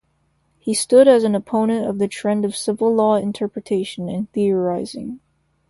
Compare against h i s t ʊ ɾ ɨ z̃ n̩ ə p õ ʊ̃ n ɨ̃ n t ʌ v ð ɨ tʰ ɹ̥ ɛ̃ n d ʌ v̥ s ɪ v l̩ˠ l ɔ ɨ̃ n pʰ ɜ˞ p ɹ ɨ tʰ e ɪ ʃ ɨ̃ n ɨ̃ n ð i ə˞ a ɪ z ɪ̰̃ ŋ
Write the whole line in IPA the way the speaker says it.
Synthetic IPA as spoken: h i s t ʊ ɾ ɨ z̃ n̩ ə pʰ õ ʊ̃ n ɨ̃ n t ʌ v ð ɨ tʰ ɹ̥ ɛ̃ n d ʌ v̥ s ɪ v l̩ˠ l ɔ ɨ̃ n tʰ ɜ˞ p ɹ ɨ tʰ e ɪ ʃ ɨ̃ n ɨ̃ n θ i ə˞ a ɪ z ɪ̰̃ ŋ